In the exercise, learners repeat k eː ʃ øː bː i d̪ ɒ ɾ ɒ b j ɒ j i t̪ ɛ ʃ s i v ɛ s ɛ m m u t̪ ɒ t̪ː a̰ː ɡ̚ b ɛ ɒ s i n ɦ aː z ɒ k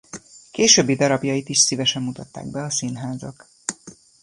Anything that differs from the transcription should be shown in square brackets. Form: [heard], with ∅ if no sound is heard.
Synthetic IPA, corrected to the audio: k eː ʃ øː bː i d̪ ɒ ɾ ɒ b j ɒ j i t̪ [i] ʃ s i v ɛ [ʃ] ɛ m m u t̪ ɒ t̪ː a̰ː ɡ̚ b ɛ ɒ s i n ɦ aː z ɒ k